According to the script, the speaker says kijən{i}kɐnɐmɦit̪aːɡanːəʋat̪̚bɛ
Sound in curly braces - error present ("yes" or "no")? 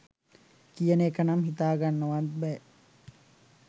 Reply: yes